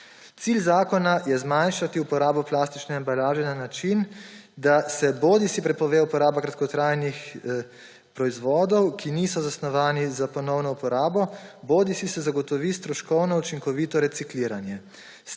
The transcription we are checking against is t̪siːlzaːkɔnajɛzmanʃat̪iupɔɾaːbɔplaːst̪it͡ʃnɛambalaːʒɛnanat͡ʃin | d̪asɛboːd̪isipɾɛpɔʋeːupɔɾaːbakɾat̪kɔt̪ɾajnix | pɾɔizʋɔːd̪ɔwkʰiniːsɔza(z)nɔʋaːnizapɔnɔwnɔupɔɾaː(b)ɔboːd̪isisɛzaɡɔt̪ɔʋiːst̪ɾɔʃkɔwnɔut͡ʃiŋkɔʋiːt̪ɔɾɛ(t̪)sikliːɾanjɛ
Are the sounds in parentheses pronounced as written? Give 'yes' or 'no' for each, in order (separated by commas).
no, yes, yes